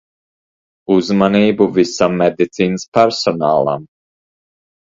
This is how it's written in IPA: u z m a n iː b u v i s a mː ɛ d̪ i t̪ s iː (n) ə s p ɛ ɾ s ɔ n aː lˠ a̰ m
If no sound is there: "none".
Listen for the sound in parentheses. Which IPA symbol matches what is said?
n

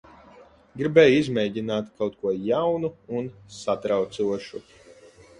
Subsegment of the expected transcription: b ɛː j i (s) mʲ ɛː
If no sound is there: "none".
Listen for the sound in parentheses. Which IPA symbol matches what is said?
z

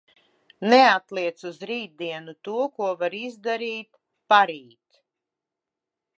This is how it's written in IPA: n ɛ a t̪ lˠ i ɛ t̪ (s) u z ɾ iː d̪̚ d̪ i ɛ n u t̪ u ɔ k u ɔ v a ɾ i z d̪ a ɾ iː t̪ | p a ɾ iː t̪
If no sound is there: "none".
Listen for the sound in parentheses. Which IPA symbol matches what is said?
s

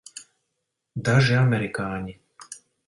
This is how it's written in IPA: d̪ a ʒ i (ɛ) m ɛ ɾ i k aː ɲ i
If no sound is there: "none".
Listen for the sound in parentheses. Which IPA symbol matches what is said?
a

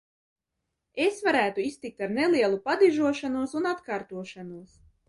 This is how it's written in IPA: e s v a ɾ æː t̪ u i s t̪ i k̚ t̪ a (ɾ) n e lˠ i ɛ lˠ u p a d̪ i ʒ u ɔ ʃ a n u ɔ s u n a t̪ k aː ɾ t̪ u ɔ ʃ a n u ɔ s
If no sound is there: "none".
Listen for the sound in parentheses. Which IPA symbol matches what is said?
ɾ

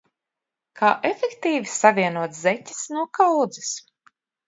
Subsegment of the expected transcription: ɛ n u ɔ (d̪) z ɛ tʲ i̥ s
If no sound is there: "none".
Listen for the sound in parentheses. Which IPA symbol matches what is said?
t̪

